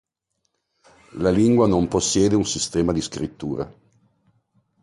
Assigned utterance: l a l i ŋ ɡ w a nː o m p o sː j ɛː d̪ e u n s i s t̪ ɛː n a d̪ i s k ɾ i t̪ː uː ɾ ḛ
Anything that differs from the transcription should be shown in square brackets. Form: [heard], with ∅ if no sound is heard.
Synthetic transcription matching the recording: l a l i ŋ ɡ w a [n] o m p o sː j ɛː d̪ e u n s i s t̪ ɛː [m] a d̪ i s k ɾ i t̪ː uː ɾ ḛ